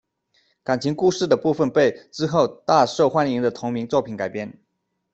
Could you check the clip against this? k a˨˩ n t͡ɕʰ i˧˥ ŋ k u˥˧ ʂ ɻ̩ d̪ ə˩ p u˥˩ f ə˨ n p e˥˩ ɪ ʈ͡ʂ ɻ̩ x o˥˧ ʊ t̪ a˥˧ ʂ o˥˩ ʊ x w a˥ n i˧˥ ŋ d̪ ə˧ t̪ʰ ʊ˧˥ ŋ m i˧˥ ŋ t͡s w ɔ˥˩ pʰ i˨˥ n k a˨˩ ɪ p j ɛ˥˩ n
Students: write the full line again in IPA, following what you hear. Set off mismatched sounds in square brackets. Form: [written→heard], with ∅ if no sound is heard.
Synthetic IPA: k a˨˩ n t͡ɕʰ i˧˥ ŋ k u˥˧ ʂ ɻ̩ d̪ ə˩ p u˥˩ f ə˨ n p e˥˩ ɪ ʈ͡ʂ ɻ̩ x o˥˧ ʊ t̪ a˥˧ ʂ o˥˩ ʊ x w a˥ n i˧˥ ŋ d̪ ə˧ t̪ʰ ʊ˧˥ ŋ m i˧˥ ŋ t͡s w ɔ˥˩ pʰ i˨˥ n k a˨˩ ɪ p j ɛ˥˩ n